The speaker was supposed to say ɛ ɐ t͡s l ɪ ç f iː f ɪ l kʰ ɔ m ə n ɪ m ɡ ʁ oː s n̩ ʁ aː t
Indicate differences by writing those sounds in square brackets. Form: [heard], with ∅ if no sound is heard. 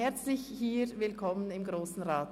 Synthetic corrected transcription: ɛ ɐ t͡s l ɪ ç [h] iː [v] ɪ l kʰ ɔ m ə n ɪ m ɡ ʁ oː s n̩ ʁ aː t